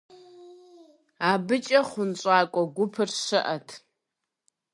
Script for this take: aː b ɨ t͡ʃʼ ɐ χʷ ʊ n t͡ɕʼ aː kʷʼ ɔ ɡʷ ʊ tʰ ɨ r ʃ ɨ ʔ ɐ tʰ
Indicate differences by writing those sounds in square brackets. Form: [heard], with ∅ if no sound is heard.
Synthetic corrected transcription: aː b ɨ t͡ʃʼ ɐ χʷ ʊ n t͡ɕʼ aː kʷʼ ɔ ɡʷ ʊ [pʰ] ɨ r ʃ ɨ ʔ ɐ tʰ